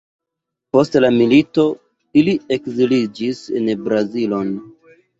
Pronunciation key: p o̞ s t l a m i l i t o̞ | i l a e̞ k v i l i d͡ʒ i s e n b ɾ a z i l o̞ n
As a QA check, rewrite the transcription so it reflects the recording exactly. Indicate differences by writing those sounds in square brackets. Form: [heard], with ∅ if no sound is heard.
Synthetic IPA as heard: p o̞ s t l a m i l i t o̞ | i l [i] e̞ k [z] i l i d͡ʒ i s e n b ɾ a z i l o̞ n